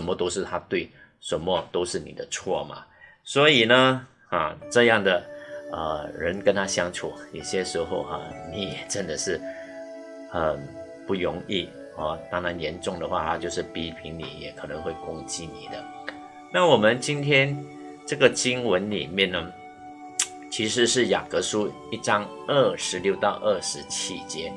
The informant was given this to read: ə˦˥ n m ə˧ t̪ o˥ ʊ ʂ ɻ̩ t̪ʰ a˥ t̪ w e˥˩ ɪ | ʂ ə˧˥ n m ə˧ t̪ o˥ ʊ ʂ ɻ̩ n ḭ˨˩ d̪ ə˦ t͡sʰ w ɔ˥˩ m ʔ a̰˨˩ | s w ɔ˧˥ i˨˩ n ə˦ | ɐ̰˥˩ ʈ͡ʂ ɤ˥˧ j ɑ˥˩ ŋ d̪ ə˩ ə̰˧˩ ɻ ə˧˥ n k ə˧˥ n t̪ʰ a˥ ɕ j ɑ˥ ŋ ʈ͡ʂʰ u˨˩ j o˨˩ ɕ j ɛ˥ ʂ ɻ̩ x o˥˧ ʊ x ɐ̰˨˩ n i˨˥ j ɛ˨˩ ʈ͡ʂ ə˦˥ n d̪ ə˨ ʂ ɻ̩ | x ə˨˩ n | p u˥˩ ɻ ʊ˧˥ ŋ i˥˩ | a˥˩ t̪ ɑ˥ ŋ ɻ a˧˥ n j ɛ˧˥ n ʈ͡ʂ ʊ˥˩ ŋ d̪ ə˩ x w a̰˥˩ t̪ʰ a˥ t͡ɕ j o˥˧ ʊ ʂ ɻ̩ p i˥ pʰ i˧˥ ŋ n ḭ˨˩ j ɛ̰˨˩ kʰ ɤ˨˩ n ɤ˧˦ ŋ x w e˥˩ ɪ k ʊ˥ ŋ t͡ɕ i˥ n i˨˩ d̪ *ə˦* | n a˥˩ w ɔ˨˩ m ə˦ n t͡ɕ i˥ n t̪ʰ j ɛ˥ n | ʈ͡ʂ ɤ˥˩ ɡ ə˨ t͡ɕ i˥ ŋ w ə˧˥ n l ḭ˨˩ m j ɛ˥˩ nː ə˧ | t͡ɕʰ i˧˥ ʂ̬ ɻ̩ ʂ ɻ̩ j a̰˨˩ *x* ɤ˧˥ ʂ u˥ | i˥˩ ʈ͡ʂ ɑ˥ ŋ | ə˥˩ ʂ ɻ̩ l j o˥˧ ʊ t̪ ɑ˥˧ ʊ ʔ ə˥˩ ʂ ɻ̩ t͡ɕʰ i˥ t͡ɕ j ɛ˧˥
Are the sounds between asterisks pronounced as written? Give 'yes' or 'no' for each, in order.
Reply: yes, no

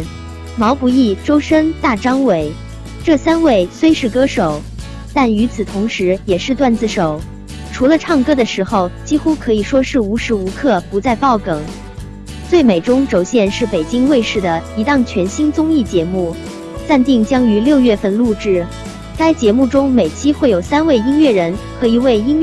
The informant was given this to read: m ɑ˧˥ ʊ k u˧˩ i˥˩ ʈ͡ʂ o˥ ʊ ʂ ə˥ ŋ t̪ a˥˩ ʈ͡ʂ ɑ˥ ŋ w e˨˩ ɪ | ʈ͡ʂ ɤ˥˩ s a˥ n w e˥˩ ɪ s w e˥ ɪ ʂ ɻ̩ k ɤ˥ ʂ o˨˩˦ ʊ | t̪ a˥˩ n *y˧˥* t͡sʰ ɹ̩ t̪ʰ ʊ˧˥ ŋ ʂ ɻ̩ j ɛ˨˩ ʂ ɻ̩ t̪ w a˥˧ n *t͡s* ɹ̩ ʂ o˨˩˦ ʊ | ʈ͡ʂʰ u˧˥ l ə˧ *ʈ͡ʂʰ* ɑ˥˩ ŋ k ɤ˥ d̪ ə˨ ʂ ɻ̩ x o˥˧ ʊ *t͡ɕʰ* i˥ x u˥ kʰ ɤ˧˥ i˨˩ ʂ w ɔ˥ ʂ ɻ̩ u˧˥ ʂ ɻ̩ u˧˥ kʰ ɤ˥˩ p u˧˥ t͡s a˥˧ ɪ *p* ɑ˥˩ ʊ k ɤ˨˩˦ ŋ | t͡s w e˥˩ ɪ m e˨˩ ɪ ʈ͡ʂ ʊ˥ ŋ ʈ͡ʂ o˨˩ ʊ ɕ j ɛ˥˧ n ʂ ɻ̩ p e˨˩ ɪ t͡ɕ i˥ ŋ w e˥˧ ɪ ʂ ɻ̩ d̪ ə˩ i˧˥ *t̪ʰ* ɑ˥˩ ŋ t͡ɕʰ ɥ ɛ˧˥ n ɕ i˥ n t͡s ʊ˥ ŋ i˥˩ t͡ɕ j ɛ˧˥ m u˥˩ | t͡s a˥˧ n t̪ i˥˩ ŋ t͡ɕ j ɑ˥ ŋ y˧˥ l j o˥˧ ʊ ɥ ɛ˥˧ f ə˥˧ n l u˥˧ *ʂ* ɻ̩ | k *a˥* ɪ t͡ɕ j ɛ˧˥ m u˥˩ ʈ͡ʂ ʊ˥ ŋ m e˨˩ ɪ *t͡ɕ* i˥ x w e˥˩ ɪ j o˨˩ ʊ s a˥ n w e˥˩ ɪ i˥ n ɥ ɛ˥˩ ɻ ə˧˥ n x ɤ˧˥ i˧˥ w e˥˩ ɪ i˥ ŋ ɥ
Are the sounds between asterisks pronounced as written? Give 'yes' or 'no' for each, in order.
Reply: yes, yes, yes, no, yes, no, no, yes, no

